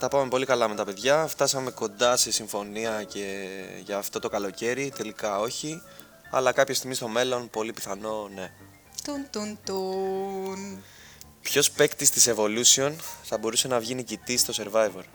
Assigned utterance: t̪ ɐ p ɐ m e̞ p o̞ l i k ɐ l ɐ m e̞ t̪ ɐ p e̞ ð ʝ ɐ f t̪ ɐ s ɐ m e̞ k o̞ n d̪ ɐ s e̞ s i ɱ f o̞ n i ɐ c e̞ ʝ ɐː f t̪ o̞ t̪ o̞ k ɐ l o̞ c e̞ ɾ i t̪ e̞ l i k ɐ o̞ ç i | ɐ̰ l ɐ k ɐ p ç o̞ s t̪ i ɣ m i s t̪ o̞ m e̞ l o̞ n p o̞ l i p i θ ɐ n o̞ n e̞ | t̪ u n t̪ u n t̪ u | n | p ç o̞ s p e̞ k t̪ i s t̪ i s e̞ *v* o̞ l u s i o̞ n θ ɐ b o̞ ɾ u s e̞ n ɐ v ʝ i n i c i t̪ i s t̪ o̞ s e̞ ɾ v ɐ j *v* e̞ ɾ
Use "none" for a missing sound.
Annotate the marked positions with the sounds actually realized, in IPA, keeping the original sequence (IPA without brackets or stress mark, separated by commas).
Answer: v, v